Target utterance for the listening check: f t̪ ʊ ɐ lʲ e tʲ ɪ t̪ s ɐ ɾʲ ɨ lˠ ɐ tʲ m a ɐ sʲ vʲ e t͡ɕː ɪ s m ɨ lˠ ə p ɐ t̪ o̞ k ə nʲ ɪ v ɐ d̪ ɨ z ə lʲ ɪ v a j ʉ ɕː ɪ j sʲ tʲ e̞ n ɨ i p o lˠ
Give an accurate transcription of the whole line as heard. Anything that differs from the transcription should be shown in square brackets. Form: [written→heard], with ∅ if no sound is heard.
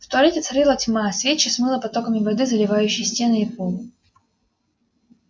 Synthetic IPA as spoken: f t̪ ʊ ɐ lʲ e tʲ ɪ t̪ s ɐ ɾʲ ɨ lˠ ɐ tʲ m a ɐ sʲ vʲ e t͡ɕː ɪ s m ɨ lˠ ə p ɐ t̪ o̞ k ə [nʲ→mʲ] ɪ v ɐ d̪ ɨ z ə lʲ ɪ v a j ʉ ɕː ɪ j sʲ tʲ e̞ n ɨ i p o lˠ